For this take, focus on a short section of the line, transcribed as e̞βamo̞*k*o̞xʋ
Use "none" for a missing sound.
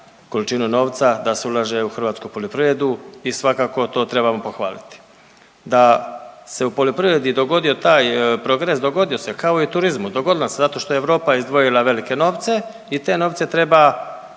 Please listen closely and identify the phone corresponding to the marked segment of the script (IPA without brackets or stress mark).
p